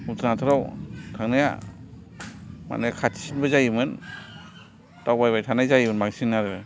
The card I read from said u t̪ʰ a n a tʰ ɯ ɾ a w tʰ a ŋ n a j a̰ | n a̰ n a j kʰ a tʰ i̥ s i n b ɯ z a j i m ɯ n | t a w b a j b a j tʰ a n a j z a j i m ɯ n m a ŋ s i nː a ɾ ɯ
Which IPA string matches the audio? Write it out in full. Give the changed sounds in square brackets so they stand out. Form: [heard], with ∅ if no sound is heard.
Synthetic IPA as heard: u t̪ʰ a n a tʰ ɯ ɾ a w tʰ a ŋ n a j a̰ | [m] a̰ n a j kʰ a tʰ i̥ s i n b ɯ z a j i m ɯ n | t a w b a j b a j tʰ a n a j z a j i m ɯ n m a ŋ s i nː a ɾ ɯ